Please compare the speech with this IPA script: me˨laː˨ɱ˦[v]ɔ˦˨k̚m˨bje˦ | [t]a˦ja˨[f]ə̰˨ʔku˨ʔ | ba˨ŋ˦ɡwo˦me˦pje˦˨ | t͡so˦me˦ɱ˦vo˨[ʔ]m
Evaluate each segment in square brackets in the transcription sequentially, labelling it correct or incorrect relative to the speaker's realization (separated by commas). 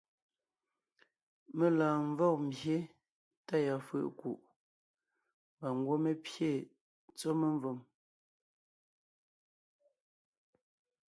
correct, correct, correct, incorrect